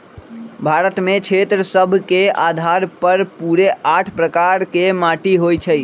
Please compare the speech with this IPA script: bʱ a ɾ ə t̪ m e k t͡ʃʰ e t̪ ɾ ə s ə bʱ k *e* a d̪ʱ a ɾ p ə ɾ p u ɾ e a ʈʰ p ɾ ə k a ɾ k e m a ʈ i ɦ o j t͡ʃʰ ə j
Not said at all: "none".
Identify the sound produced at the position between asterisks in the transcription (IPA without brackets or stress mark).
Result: e